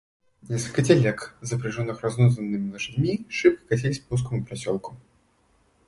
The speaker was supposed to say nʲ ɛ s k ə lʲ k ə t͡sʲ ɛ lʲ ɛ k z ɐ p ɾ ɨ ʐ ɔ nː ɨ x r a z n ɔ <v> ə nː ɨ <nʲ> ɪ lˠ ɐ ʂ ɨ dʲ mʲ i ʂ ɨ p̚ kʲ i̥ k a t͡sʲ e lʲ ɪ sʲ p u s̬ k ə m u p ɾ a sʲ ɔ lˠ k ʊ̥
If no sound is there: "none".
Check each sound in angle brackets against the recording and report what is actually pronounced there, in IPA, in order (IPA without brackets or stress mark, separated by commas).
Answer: z, mʲ